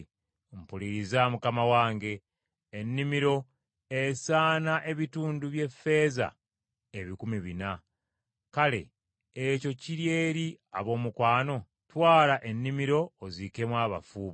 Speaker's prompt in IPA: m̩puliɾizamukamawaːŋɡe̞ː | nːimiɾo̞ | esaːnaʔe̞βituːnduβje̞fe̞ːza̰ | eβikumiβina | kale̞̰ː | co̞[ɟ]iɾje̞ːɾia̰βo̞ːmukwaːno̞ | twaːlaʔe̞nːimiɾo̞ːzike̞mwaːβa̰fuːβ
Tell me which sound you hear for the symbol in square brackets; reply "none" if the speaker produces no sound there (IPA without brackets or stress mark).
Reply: c